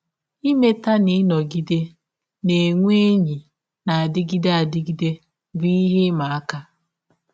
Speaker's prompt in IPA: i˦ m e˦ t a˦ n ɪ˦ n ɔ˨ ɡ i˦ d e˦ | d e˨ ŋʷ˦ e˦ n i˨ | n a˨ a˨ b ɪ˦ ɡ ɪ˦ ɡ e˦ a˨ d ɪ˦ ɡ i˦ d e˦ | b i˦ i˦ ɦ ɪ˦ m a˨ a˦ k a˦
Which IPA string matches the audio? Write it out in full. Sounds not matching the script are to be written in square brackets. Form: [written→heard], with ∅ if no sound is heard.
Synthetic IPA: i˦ m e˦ t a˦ n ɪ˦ n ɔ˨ ɡ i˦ d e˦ | [d→n] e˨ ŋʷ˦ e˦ [n→ɲ] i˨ | n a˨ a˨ [b→d] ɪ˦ ɡ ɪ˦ [ɡ→d] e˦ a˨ d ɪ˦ ɡ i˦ d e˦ | b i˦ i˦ ɦ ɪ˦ m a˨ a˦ k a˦